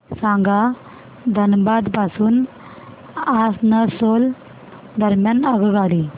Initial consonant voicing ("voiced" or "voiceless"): voiceless